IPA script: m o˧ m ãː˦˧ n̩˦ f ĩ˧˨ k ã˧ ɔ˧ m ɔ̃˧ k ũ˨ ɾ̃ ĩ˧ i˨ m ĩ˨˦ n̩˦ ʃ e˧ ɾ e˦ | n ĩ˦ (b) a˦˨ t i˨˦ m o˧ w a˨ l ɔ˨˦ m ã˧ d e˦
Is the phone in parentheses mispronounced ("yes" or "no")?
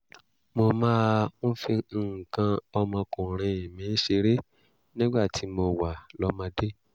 yes